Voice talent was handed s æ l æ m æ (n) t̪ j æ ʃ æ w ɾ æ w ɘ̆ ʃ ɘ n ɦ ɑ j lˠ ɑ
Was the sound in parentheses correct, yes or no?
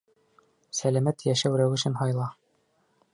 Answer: no